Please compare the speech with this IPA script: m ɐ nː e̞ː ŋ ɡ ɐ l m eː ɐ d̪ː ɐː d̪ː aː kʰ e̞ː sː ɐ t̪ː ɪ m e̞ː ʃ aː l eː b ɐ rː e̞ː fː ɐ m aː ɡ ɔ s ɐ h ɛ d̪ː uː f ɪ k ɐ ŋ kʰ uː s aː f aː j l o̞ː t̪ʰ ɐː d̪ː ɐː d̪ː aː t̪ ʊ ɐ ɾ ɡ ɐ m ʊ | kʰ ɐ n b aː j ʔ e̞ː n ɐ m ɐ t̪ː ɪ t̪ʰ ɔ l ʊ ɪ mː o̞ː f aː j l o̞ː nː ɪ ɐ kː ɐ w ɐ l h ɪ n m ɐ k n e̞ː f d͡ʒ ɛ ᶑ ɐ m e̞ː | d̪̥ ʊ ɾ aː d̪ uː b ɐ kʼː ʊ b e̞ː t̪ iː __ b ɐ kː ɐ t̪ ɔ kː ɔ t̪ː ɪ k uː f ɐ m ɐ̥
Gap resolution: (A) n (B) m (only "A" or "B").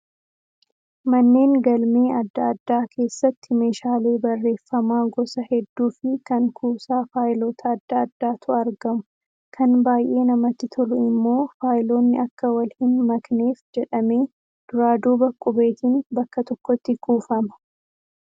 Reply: A